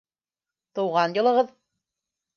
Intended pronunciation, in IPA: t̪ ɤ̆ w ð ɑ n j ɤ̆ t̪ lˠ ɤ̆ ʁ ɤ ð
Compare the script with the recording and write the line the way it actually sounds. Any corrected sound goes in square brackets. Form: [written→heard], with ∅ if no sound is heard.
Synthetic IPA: t̪ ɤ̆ w [ð→ʁ] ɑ n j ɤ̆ [t̪→∅] lˠ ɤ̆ ʁ ɤ ð